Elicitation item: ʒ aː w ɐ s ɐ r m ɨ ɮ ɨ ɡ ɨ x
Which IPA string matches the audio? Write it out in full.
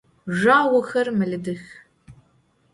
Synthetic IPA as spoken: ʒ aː w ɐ x ɐ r m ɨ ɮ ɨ d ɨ x